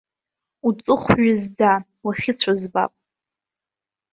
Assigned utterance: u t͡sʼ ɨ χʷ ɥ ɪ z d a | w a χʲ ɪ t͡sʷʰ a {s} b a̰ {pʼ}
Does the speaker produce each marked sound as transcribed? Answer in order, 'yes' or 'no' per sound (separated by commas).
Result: no, yes